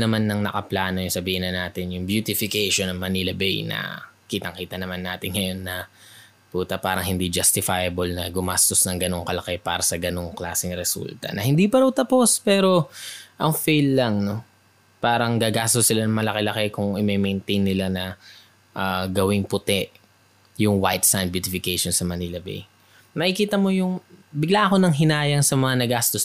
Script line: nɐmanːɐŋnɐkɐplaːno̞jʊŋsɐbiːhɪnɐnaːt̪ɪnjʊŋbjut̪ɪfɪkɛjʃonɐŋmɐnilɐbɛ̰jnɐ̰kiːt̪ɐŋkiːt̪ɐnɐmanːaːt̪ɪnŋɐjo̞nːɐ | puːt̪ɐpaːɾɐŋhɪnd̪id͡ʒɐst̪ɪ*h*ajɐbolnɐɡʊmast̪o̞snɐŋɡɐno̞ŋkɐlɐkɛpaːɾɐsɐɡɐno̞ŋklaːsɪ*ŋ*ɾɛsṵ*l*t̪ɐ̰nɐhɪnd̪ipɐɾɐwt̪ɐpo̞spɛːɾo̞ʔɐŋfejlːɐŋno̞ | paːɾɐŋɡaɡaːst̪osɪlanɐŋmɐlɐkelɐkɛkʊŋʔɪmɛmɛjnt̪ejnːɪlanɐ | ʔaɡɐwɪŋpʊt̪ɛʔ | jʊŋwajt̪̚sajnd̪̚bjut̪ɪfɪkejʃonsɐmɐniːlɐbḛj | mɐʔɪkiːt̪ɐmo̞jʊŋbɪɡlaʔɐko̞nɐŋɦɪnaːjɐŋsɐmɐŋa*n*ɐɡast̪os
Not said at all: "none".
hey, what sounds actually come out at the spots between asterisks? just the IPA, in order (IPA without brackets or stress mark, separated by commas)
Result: f, ŋ, l, n